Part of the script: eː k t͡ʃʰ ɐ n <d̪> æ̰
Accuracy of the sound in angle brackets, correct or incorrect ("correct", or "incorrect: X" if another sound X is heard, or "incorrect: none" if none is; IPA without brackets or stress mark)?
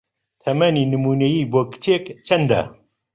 correct